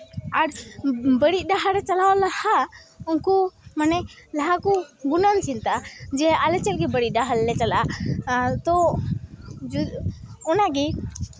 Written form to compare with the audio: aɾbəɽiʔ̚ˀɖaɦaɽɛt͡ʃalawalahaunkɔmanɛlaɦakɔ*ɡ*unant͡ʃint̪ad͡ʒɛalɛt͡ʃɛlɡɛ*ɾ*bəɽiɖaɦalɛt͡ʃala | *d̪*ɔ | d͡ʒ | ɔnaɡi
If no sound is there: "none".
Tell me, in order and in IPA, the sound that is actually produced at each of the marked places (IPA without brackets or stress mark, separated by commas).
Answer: ɡ, none, t̪